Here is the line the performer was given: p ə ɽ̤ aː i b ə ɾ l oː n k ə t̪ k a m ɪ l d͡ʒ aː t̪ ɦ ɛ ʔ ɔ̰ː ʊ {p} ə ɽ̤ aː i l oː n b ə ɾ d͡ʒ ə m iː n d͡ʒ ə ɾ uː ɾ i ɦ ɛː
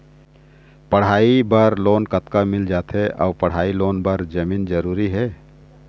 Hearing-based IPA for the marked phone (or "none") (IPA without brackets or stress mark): p